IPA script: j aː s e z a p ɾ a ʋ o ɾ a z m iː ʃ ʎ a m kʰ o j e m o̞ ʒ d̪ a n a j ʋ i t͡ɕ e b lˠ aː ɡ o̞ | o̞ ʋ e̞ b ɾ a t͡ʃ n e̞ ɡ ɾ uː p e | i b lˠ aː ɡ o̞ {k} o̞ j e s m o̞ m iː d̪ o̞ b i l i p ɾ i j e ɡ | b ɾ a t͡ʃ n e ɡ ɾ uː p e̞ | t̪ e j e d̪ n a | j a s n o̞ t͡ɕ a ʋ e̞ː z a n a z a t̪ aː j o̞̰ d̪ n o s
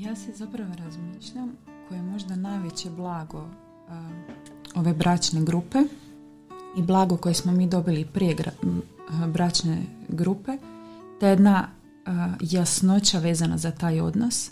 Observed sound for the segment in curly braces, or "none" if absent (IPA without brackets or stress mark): k